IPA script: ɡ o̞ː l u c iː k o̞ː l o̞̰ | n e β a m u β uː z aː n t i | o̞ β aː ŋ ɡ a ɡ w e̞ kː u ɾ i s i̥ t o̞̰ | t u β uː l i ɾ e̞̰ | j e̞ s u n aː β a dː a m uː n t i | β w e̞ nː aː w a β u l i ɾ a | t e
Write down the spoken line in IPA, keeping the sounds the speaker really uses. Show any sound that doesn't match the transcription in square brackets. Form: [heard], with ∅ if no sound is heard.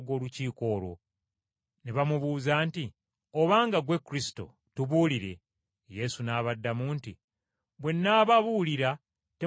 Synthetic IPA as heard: ɡ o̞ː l u c iː k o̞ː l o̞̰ | n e β a m u β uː z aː n t i | o̞ β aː ŋ ɡ a ɡ w e̞ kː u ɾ i s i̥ t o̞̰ | t u β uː l i ɾ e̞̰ | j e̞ s u n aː β a dː a m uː n t i | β w e̞ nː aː [β] a β u l i ɾ a | t e